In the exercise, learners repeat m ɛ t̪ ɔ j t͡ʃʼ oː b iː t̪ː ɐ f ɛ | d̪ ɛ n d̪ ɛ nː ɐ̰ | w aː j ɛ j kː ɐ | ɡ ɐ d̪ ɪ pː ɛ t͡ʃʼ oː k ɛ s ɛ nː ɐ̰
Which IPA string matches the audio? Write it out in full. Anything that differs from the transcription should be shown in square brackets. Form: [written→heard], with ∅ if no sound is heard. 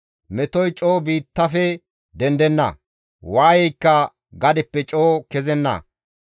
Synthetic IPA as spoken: m ɛ t̪ ɔ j t͡ʃʼ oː b iː t̪ː ɐ f ɛ | d̪ ɛ n d̪ ɛ nː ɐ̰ | w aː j ɛ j kː ɐ | ɡ ɐ d̪ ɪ pː ɛ t͡ʃʼ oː k ɛ [s→z] ɛ nː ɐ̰